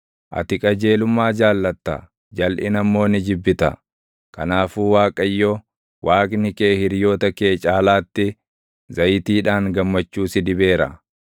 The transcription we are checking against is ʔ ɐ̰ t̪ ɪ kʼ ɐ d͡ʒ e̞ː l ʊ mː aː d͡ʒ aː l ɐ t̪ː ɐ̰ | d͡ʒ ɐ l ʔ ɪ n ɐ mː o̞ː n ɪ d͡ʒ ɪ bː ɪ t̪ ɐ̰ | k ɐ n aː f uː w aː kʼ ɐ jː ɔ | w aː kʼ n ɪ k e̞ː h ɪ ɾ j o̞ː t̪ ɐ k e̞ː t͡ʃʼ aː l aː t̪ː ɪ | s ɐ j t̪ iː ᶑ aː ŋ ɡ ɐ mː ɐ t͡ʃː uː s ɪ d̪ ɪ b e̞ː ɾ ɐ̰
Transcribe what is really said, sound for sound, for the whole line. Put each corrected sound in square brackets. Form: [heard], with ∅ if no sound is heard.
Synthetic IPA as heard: ʔ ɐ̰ t̪ ɪ kʼ ɐ d͡ʒ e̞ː l ʊ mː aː d͡ʒ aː [lː] ɐ t̪ː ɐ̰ | d͡ʒ ɐ l ʔ ɪ n ɐ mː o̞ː n ɪ d͡ʒ ɪ bː ɪ t̪ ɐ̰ | k ɐ n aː f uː w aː kʼ ɐ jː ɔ | w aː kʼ n ɪ k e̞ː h ɪ ɾ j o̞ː t̪ ɐ k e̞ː t͡ʃʼ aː l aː t̪ː ɪ | [z] ɐ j t̪ iː ᶑ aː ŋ ɡ ɐ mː ɐ t͡ʃː uː s ɪ d̪ ɪ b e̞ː ɾ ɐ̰